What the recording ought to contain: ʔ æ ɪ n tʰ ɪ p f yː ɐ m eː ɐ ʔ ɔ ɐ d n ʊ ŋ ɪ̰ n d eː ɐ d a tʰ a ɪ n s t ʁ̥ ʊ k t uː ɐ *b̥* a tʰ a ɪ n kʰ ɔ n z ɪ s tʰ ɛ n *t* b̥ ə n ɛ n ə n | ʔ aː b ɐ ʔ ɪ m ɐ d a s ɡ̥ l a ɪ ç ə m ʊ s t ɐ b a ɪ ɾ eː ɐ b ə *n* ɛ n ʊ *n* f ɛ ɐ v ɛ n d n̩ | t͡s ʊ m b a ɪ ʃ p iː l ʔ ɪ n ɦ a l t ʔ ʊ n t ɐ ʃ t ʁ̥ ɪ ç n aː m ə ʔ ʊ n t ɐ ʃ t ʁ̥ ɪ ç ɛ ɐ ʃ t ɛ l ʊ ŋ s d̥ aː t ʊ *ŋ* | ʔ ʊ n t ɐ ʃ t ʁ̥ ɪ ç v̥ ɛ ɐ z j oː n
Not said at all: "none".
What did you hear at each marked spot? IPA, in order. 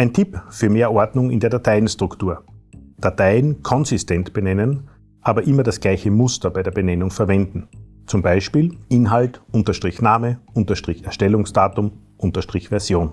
d̥, t, n, ŋ, m

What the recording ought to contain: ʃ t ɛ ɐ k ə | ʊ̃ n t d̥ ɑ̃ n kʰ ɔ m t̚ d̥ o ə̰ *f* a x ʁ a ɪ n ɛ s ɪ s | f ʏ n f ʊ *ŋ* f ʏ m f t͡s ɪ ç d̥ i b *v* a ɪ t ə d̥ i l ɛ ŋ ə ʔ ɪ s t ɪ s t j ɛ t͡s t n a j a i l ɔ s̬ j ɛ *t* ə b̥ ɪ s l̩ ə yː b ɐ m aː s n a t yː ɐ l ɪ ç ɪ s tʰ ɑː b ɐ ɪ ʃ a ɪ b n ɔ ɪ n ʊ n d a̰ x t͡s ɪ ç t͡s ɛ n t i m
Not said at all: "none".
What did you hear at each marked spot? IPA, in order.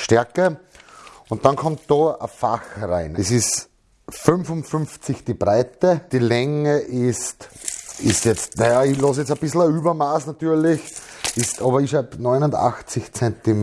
f, n, ʁ, t͡s

